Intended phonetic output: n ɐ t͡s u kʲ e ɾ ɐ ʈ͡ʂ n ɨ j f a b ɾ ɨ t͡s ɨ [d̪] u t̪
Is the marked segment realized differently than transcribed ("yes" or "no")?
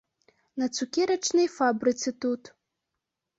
yes